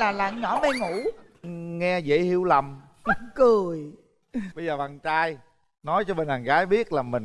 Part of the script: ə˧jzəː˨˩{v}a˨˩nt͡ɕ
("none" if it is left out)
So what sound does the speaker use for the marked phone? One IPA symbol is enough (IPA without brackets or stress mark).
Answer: v